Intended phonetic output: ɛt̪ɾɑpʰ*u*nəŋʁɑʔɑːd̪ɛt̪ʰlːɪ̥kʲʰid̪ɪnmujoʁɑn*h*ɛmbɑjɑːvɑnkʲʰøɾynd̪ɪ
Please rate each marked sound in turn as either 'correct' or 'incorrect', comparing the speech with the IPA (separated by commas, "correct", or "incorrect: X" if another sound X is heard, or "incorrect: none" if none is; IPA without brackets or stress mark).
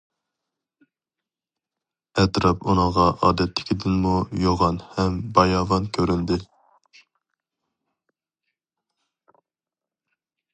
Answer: correct, correct